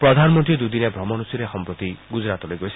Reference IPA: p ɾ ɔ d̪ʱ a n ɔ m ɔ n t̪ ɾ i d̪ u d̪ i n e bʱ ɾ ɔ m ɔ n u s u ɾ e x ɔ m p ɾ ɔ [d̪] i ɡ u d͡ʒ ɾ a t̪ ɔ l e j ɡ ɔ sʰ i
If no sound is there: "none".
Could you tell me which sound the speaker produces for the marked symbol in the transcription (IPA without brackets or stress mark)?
t̪